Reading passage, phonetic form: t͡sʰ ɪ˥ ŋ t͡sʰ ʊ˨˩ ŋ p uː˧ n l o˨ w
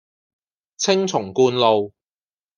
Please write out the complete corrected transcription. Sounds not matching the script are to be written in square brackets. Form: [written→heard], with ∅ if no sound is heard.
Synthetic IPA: t͡sʰ ɪ˥ ŋ t͡sʰ ʊ˨˩ ŋ [p→k] uː˧ n l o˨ w